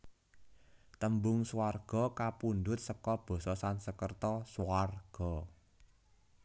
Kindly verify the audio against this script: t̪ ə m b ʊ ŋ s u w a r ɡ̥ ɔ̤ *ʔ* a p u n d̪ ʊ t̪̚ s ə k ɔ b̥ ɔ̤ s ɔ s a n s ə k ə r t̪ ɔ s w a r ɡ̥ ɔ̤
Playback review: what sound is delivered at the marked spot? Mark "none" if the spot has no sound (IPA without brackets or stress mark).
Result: k